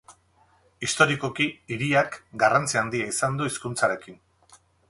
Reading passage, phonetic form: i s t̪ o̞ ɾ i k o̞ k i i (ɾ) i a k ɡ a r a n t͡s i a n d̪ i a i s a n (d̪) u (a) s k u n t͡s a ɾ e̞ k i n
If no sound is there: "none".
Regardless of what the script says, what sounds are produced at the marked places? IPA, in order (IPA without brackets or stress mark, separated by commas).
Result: ɾ, d̪, i